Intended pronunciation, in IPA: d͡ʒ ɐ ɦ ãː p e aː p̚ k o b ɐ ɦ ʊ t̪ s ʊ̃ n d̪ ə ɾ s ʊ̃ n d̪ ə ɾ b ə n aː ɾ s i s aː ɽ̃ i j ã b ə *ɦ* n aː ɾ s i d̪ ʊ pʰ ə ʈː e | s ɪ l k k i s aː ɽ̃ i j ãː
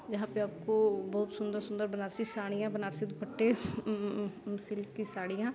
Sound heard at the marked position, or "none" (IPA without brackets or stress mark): none